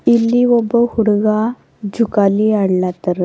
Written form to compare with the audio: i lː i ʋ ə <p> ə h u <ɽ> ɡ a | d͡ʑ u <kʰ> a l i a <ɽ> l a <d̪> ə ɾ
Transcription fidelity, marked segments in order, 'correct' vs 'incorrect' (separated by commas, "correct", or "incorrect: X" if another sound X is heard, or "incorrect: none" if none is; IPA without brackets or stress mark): incorrect: b, correct, incorrect: k, correct, incorrect: t̪